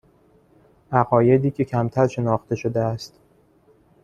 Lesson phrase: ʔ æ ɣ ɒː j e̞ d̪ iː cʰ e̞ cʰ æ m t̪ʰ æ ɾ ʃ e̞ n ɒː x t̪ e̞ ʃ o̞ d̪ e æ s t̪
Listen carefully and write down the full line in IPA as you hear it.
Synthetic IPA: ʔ æ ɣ ɒː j e̞ d̪ iː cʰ e̞ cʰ æ m t̪ʰ æ ɾ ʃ e̞ n ɒː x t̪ e̞ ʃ o̞ d̪ e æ s t̪